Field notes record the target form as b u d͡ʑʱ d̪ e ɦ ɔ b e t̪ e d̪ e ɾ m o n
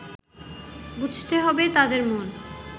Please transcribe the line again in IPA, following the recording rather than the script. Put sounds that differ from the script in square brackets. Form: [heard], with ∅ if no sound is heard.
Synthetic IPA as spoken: b u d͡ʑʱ [t̪] e ɦ ɔ b e t̪ [a] d̪ e ɾ m o n